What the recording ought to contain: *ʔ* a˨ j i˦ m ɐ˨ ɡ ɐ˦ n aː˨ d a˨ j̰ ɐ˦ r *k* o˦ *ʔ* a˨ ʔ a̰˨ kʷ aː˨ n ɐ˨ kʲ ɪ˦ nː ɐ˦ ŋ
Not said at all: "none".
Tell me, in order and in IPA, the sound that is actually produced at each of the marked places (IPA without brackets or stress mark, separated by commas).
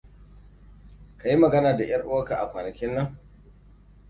k, ʔ, k